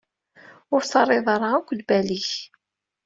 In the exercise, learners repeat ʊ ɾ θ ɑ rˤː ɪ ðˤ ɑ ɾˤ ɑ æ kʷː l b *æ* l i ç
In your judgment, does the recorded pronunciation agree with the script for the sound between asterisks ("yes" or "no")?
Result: yes